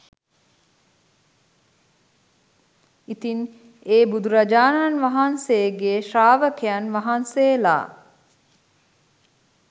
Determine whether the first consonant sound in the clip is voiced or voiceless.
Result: voiceless